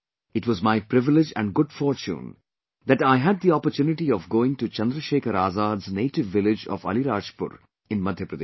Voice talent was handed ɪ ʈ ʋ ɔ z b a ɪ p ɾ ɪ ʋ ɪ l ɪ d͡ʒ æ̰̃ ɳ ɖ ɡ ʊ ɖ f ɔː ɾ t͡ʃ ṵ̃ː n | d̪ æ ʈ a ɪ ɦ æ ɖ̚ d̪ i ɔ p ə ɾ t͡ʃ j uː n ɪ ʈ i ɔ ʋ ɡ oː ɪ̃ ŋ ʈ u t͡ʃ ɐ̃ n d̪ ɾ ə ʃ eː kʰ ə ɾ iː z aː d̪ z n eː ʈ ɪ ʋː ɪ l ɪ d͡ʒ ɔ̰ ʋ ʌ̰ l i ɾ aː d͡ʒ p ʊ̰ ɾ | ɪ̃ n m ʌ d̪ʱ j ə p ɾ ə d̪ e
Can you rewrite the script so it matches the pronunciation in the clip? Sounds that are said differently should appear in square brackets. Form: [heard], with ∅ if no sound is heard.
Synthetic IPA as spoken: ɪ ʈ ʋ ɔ z [m] a ɪ p ɾ ɪ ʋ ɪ l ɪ d͡ʒ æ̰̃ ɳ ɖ ɡ ʊ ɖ f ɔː ɾ t͡ʃ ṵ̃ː n | d̪ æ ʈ a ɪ ɦ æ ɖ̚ d̪ i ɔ p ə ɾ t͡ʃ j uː n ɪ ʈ i ɔ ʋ ɡ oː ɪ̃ ŋ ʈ u t͡ʃ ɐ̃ n d̪ ɾ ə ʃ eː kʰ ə ɾ [aː] z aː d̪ z n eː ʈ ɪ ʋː ɪ l ɪ d͡ʒ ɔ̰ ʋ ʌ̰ l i ɾ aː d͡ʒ p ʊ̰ ɾ | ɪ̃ n m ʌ d̪ʱ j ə p ɾ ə d̪ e